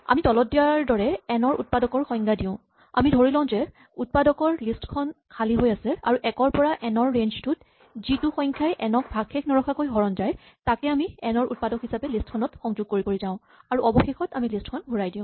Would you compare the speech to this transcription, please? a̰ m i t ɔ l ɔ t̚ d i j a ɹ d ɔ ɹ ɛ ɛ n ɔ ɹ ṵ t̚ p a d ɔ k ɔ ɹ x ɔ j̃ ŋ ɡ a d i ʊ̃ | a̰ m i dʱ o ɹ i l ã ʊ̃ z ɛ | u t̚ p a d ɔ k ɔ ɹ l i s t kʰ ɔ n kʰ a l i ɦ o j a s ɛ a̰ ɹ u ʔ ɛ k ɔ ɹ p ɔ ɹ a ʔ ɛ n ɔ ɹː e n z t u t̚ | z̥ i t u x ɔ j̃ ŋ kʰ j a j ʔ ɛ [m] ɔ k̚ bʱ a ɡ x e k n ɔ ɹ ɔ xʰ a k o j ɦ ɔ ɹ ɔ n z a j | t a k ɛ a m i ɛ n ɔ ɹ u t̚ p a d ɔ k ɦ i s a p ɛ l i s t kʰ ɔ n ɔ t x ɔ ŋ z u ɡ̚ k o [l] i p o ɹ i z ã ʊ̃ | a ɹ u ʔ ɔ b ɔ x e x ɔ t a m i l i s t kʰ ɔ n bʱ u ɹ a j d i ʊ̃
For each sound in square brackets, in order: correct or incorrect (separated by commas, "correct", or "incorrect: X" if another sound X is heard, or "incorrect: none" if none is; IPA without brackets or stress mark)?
incorrect: n, incorrect: ɹ